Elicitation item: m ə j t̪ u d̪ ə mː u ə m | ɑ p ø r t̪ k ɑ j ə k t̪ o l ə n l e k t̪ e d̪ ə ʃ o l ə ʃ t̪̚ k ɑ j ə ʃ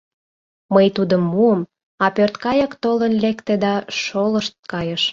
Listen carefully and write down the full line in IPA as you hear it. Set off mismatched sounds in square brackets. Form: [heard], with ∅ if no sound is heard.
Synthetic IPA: m ə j t̪ u d̪ ə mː u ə m | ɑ p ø r t̪ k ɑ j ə k t̪ o l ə n l e k t̪ e d̪ [ɑ] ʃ o l ə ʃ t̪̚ k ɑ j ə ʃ